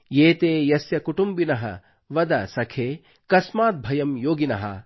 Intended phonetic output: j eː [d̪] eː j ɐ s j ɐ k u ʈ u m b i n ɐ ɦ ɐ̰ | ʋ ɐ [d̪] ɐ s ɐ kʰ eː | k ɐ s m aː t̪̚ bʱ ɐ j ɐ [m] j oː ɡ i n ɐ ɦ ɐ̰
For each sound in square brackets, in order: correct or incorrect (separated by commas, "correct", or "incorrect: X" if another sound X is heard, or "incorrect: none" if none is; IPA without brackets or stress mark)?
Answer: incorrect: t̪, correct, correct